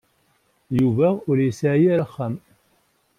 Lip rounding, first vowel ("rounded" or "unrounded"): rounded